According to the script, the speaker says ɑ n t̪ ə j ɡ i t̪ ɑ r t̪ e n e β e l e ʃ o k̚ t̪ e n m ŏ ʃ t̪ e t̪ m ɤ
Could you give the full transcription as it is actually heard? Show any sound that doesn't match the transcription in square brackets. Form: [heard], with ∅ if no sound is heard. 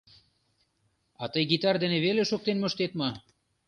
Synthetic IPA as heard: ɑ [∅] t̪ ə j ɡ i t̪ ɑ r [d̪] e n e β e l e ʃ o k̚ t̪ e n m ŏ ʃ t̪ e t̪ m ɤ